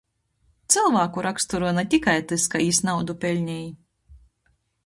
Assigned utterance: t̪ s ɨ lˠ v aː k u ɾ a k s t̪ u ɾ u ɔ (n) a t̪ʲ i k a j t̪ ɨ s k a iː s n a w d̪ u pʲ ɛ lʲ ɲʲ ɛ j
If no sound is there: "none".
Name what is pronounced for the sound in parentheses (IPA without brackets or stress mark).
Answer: n